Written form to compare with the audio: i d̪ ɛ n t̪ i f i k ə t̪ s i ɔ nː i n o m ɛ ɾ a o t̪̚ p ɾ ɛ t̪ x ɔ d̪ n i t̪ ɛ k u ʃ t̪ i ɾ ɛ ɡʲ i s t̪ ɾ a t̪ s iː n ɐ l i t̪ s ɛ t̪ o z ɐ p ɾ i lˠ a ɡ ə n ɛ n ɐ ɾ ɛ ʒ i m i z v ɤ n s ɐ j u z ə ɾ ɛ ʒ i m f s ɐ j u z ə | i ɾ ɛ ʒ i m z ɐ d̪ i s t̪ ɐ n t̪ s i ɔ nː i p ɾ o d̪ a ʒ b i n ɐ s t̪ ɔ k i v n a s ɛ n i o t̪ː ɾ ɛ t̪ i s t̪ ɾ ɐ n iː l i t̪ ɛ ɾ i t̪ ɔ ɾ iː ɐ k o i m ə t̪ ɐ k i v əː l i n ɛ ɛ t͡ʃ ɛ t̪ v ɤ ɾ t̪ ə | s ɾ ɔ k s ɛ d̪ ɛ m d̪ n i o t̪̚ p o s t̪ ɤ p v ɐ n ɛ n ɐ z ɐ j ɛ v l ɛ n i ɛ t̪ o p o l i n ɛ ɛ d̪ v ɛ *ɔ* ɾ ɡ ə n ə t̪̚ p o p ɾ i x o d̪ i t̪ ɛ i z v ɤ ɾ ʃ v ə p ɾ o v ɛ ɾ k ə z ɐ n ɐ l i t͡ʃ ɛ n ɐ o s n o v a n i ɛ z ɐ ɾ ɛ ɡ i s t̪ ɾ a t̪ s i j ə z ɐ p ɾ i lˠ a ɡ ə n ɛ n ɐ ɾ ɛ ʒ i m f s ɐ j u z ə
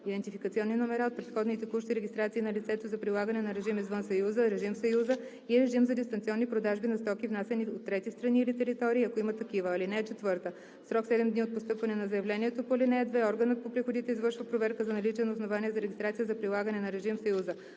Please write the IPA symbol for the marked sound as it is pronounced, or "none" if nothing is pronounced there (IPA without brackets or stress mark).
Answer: ɔ